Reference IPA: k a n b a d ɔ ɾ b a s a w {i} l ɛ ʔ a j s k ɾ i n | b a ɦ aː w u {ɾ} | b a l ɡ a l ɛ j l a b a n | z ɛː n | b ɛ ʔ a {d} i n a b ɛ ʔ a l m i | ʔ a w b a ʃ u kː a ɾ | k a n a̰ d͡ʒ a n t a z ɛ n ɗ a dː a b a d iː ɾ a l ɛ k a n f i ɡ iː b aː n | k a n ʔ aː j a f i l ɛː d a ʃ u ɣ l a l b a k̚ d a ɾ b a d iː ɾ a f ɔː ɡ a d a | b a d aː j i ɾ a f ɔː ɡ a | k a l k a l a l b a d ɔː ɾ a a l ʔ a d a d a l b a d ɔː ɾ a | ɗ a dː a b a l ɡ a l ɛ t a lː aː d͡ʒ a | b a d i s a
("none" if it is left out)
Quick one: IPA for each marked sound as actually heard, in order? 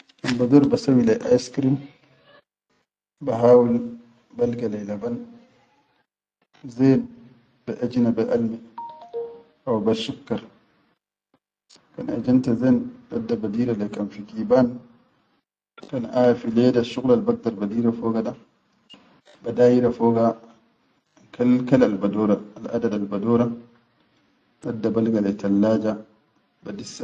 i, l, d͡ʒ

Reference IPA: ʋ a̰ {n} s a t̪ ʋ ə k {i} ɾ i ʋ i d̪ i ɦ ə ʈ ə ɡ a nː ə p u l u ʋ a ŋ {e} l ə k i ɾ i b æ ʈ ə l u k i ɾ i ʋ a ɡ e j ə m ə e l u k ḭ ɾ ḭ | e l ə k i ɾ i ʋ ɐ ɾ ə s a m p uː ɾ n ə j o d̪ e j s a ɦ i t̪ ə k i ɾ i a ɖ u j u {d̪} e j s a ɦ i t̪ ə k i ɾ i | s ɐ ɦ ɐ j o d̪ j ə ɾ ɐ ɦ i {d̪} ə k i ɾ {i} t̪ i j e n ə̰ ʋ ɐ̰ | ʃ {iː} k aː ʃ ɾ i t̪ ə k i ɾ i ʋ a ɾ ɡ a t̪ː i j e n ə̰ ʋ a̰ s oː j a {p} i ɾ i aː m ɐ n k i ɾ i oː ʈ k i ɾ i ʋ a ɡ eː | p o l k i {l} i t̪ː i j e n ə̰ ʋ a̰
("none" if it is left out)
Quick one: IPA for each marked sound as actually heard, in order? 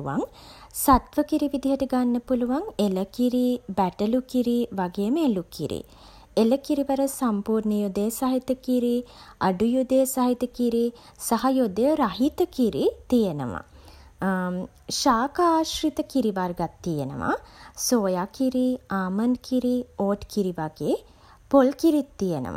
ŋ, i, e, d̪, t̪, i, aː, k, ɾ

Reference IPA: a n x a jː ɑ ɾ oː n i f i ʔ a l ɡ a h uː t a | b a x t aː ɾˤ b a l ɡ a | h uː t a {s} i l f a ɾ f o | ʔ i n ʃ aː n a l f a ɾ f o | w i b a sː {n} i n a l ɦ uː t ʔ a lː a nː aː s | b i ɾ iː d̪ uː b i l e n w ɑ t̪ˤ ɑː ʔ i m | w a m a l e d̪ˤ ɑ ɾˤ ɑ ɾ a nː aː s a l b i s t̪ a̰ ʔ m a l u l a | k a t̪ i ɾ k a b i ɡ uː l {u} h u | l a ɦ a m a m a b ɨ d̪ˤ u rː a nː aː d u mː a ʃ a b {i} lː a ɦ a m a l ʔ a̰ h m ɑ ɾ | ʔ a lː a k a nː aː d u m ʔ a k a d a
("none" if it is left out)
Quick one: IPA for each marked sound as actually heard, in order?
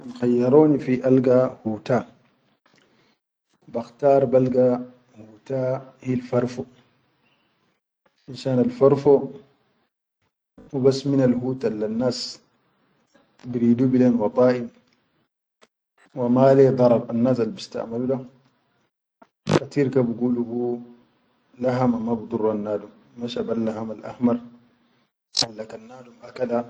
h, m, u, a

